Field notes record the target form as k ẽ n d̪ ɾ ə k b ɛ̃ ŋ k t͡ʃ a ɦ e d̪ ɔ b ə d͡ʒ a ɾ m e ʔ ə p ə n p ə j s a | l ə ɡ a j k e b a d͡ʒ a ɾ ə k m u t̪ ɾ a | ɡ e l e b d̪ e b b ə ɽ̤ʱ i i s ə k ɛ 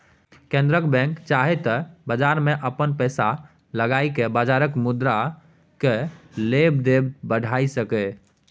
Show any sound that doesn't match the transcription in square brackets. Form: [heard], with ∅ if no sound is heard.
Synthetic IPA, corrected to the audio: k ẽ n d̪ ɾ ə k b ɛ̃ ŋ k t͡ʃ a ɦ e [t̪] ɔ b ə d͡ʒ a ɾ m e ʔ ə p ə n p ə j s a | l ə ɡ a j k e b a d͡ʒ a ɾ ə k m u [d̪] ɾ a | [k] e l e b d̪ e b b ə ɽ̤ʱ [a] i s ə k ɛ